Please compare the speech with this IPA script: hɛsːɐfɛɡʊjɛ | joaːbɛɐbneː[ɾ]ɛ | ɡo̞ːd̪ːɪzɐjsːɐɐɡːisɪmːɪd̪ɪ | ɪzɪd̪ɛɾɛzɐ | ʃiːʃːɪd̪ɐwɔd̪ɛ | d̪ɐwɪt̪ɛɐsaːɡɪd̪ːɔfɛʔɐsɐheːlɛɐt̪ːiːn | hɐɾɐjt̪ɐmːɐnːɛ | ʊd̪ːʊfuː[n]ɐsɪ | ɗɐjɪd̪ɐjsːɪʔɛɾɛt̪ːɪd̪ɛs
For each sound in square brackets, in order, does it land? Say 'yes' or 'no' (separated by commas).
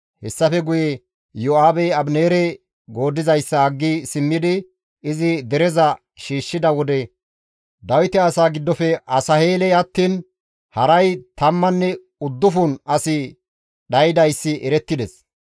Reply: yes, yes